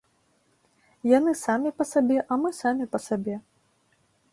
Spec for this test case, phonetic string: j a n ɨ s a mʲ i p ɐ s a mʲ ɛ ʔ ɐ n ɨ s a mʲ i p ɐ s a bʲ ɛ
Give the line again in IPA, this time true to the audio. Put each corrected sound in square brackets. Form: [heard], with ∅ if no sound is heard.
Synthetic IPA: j a n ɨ s a mʲ i p ɐ s a [bʲ] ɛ ʔ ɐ [m] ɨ s a mʲ i p ɐ s a bʲ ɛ